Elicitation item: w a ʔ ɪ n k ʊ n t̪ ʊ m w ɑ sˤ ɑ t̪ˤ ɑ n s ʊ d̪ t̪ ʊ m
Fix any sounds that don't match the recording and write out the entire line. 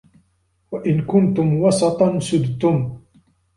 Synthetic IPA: w a ʔ ɪ n k ʊ n t̪ ʊ m w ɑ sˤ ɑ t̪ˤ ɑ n s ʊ d̪ t̪ ʊ m